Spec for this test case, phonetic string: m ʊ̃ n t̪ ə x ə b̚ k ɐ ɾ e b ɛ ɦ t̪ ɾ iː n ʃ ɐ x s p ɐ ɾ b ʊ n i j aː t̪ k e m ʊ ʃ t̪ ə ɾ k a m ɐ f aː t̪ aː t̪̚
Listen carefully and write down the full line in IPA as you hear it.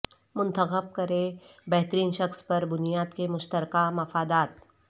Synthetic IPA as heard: m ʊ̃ n t̪ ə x ə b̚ k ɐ ɾ e b ɛ ɦ t̪ ɾ iː n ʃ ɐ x s p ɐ ɾ b ʊ n i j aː d̪ k e m ʊ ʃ t̪ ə ɾ k a m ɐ f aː d̪ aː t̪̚